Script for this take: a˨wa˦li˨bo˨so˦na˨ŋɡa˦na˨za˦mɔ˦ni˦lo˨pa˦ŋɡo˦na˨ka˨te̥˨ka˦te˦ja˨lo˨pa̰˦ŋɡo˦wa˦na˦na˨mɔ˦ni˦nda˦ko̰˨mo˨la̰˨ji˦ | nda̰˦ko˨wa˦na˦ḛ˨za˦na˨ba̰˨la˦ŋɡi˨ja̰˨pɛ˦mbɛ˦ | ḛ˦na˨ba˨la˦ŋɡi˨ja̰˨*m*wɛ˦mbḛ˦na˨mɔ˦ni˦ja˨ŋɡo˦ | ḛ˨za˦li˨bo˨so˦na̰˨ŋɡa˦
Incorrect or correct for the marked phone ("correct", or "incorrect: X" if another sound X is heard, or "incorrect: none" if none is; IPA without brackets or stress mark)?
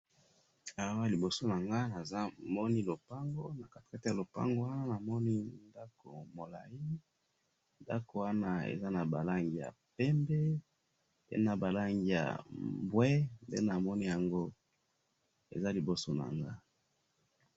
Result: incorrect: b